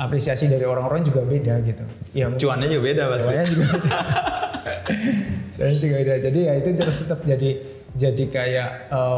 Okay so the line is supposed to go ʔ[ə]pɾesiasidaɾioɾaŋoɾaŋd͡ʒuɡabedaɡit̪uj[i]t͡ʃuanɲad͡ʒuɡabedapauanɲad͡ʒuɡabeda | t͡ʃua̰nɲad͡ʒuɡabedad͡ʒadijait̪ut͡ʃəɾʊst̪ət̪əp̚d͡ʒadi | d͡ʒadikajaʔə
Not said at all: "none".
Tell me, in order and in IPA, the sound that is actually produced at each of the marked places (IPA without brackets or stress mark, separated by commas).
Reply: a, a